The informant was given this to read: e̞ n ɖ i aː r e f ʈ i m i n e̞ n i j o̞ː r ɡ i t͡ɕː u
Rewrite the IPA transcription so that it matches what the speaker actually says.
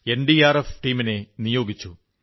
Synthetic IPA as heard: e̞ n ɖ i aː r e f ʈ iː m i n e̞ n i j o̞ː ɡ i t͡ɕː u

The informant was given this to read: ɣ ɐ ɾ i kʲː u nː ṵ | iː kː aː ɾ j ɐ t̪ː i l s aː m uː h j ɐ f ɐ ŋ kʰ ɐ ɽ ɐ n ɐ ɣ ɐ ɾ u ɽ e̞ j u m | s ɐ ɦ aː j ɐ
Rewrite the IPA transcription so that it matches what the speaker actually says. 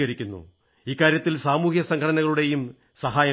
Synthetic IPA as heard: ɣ ɐ ɾ i kʲː u nː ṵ | iː kː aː ɾ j ɐ t̪ː i l s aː m uː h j ɐ s ɐ ŋ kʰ ɐ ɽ ɐ n ɐ ɣ ɐ ɭ u ɽ e̞ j u m | s ɐ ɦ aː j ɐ

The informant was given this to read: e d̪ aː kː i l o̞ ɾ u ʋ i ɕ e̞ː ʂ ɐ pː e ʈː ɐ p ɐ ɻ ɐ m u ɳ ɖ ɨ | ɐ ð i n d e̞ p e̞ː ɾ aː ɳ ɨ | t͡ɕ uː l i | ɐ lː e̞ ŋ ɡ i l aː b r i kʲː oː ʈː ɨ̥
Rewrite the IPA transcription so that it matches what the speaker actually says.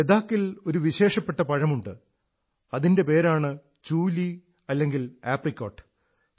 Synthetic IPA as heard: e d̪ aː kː i l o̞ ɾ u ʋ i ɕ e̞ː ʂ ɐ pː e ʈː ɐ p ɐ ɻ ɐ m u ɳ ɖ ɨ | ɐ ð i n d e̞ p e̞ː ɾ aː ɳ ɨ | t͡ɕ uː l i | ɐ lː e̞ ŋ ɡ i l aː p r i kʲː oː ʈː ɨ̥

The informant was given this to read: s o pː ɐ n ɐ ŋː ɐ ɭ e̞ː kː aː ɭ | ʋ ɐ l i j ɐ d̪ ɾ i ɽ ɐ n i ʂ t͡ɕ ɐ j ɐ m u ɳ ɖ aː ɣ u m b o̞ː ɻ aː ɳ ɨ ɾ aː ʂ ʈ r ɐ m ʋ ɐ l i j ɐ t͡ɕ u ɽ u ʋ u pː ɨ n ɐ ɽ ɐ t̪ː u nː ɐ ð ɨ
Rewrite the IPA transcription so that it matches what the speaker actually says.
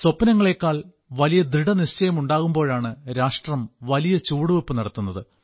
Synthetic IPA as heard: s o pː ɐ n ɐ ŋː ɐ ɭ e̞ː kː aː ɭ | ʋ ɐ l i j ɐ d̪ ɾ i ɽ ɐ n i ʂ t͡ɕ ɐ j ɐ m u ɳ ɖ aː ɣ u m b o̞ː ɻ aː ɳ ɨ ɾ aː ʂ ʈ r ɐ m ʋ ɐ l i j ɐ t͡ɕ uː ɽ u ʋ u pː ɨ n ɐ ɽ ɐ t̪ː u nː ɐ ð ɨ

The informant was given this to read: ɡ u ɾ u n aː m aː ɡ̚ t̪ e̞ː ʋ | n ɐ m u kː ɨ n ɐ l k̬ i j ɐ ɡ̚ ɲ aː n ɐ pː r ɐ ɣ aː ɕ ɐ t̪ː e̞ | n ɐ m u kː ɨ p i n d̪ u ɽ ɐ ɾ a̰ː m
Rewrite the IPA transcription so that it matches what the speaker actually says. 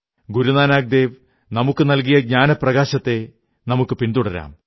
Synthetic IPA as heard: ɡ u ɾ u n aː n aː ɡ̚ d̪ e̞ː ʋ | n ɐ m u kː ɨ n ɐ l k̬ i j ɐ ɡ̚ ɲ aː n ɐ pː r ɐ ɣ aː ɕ ɐ t̪ː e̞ | n ɐ m u kː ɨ p i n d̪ u ɽ ɐ ɾ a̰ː m

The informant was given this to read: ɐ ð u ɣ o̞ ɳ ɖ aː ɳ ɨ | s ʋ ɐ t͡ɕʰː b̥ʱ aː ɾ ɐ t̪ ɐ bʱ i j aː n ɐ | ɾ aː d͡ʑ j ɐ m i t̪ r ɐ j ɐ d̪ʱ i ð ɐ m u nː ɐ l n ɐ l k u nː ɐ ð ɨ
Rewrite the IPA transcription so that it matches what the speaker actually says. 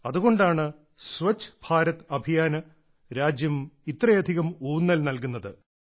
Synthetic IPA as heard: ɐ ð u ɣ o̞ ɳ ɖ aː ɳ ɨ | s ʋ ɐ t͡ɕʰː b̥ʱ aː ɾ ɐ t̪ ɐ bʱ i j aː n ɐ | ɾ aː d͡ʑ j ɐ m i t̪ r ɐ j ɐ d̪ʱ i ɣ ɐ m uː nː ɐ l n ɐ l k u nː ɐ ð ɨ

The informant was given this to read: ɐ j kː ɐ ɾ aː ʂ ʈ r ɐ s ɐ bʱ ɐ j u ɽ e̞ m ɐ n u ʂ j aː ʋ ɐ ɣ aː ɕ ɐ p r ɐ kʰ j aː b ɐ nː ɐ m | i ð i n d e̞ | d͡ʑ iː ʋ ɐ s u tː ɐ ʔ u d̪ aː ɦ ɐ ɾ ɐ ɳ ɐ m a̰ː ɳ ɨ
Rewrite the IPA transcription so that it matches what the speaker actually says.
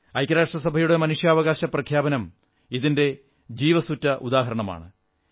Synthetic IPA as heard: ɐ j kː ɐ ɾ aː ʂ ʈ r ɐ s ɐ bʱ ɐ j u ɽ e̞ m ɐ n u ʂ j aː ʋ ɐ ɣ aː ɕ ɐ p r ɐ kʰ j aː b ɐ n ɐ m | i ð i n d e̞ | d͡ʑ iː ʋ ɐ s u tː ɐ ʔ u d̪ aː ɦ ɐ ɾ ɐ ɳ ɐ m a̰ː ɳ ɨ

